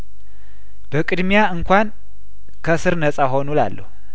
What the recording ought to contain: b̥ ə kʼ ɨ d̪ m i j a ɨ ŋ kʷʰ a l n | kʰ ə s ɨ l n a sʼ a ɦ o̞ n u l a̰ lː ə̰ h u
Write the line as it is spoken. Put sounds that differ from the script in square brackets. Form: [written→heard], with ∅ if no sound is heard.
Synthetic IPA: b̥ ə kʼ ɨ d̪ m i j a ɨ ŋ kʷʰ a [l→∅] n | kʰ ə s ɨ [l→ɾ] n [a→ə] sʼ a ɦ o̞ n u l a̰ lː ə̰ h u